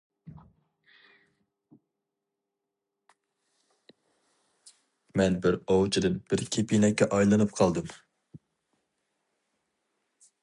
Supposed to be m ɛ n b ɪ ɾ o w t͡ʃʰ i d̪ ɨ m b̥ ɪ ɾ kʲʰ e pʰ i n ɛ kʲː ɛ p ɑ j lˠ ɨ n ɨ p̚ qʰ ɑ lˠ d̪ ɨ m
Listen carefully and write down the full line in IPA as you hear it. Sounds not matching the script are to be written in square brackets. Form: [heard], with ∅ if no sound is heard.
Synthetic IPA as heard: m ɛ n b ɪ ɾ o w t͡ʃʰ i d̪ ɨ [n] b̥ ɪ ɾ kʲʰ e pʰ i n ɛ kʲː ɛ [ʔ] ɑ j lˠ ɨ n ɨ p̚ qʰ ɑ lˠ d̪ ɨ m